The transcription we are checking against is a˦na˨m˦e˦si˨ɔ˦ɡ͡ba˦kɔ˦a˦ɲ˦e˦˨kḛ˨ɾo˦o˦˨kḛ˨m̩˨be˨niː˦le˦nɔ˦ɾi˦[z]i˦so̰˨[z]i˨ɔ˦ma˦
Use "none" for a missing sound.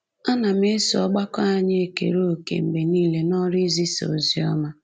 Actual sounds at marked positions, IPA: z, z

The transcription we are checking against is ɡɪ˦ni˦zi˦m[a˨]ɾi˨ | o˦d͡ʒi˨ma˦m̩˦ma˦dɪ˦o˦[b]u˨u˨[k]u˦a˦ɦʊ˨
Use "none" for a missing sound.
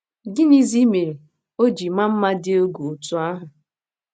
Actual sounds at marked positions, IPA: e˨, ɡ, t

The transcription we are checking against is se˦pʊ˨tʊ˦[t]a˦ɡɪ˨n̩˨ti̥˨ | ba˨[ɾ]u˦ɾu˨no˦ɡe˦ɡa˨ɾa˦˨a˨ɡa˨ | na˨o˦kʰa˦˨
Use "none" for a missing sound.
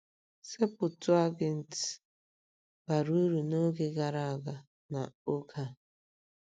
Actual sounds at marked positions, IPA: none, ɾ

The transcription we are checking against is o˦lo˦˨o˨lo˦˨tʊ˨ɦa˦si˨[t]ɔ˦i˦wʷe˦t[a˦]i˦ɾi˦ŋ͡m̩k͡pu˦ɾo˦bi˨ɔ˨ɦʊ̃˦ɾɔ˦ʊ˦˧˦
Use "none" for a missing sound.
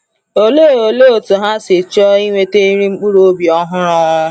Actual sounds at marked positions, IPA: t͡ʃ, e˦

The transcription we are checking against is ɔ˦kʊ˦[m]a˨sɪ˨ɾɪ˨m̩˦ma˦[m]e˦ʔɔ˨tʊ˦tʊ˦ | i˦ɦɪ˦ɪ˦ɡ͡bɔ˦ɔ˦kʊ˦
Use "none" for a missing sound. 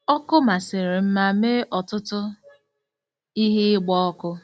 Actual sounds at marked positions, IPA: m, m

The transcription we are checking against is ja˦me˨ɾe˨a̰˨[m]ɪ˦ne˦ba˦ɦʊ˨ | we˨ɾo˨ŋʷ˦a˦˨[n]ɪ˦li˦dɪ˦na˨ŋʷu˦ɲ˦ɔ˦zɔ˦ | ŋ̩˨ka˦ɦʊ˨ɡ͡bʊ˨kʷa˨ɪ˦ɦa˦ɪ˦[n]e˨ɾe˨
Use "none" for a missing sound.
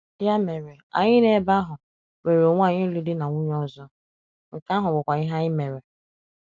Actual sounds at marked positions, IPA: ɲ, ɲ, m

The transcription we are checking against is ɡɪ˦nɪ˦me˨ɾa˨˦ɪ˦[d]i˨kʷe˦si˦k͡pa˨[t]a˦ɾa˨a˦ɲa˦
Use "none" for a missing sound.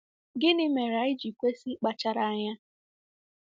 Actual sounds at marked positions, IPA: d͡ʒ, t͡ʃ

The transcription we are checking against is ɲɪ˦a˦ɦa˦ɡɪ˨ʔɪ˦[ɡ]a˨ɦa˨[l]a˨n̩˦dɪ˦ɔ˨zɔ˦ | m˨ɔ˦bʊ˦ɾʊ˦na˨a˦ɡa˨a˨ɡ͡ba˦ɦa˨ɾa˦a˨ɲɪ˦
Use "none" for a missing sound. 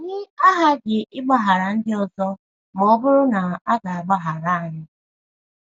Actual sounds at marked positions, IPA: ɡ͡b, ɾ

